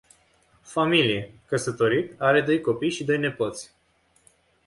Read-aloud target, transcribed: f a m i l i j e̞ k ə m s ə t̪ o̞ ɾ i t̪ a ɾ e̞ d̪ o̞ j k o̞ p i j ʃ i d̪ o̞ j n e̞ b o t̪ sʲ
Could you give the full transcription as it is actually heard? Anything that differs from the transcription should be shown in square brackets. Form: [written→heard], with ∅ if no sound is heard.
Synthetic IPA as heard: f a m i l i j e̞ k ə [m→∅] s ə t̪ o̞ ɾ i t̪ a ɾ e̞ d̪ o̞ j k o̞ p i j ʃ i d̪ o̞ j n e̞ [b→p] o t̪ sʲ